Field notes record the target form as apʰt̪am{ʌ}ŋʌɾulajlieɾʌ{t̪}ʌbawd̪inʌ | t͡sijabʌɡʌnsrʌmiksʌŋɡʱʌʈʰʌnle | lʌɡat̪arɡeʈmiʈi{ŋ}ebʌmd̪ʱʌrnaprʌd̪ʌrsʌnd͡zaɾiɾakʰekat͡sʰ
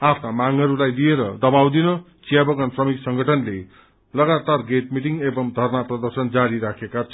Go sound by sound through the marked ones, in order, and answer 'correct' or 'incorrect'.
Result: incorrect: a, incorrect: d̪, correct

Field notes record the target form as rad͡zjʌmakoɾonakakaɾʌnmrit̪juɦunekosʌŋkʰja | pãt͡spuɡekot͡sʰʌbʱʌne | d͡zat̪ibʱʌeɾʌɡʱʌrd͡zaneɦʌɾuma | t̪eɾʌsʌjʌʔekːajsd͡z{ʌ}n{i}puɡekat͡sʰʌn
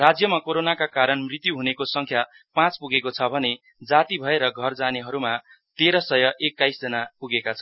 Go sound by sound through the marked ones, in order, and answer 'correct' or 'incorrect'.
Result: correct, incorrect: a

